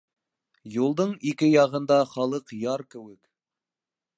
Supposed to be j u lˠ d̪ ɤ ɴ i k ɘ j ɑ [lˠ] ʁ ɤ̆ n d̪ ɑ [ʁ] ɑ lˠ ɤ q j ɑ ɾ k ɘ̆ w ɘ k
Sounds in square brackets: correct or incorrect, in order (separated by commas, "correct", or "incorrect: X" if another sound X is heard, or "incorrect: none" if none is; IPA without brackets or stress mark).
incorrect: none, incorrect: χ